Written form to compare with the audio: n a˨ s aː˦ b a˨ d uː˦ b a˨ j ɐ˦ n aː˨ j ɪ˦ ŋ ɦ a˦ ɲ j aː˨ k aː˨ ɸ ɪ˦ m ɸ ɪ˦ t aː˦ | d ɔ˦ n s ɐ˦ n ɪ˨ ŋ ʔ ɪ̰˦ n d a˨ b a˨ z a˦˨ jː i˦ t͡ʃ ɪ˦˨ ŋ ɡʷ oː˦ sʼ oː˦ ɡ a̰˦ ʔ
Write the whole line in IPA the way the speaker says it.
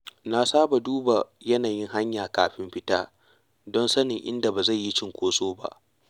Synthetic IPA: n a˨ s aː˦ b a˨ d uː˦ b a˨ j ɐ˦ n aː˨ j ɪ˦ ŋ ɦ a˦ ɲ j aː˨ k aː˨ ɸ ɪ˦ m ɸ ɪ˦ t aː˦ | d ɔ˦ n s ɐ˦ n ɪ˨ ŋ ʔ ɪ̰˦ n d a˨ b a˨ z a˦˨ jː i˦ t͡ʃ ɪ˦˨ ŋ kʷ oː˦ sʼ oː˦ b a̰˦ ʔ